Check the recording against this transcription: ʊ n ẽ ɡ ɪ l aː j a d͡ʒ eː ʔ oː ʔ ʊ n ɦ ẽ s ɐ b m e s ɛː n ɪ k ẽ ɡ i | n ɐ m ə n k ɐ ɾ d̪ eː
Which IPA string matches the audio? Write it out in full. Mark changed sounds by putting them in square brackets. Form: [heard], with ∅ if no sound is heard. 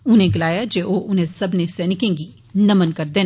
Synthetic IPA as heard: ʊ n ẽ ɡ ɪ l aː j a d͡ʒ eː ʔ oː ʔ ʊ n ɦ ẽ s ɐ b [n] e s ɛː n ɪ k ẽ ɡ i | n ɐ m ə n k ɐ ɾ d̪ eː